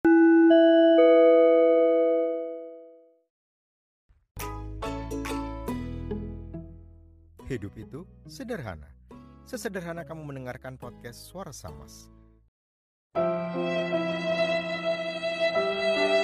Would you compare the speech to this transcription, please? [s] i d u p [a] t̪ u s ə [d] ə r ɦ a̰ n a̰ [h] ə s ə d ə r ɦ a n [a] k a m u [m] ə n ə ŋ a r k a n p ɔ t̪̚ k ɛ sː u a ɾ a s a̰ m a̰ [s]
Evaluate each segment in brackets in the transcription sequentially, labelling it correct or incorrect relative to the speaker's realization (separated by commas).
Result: incorrect, incorrect, correct, incorrect, correct, correct, correct